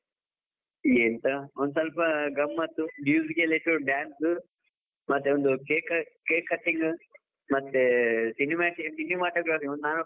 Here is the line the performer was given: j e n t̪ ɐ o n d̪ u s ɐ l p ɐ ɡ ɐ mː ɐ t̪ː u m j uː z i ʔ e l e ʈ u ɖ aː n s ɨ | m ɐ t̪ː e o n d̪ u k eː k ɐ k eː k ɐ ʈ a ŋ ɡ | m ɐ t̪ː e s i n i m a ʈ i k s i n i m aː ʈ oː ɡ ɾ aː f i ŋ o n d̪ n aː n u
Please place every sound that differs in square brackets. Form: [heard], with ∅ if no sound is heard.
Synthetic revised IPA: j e n t̪ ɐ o n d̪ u s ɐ l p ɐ ɡ ɐ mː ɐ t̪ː u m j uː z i [k] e l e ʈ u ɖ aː n s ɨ | m ɐ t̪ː e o n d̪ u k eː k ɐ k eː k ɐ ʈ [i] ŋ ɡ | m ɐ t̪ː e s i n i m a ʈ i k s i n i m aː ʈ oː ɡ ɾ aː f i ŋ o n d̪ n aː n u